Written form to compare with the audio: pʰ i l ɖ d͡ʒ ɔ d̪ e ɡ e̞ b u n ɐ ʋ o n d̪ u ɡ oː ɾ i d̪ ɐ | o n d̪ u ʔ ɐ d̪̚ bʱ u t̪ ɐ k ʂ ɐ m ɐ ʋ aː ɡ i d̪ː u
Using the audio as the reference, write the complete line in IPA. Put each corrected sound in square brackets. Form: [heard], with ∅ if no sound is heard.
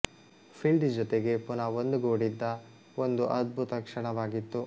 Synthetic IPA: pʰ i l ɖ d͡ʒ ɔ [t̪] e ɡ e̞ [p] u n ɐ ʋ o n d̪ u ɡ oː [ɽ] i [d̪ː] ɐ | o n d̪ u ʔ ɐ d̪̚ bʱ u t̪ ɐ k ʂ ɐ [ɳ] ɐ ʋ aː ɡ i [t̪ː] u